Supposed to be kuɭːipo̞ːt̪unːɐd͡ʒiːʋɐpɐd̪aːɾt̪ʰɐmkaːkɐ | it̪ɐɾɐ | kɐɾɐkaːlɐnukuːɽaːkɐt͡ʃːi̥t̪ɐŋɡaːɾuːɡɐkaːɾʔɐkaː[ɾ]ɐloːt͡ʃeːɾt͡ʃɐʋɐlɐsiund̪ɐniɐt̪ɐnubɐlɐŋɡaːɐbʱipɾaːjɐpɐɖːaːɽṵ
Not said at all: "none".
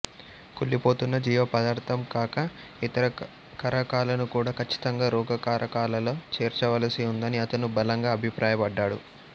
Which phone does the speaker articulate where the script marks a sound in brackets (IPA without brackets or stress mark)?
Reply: l